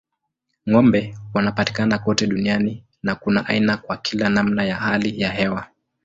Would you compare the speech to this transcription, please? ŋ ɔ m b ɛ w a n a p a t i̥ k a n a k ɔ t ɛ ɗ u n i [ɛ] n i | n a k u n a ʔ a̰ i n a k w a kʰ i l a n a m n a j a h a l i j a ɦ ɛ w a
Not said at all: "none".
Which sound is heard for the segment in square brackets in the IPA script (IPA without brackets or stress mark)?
a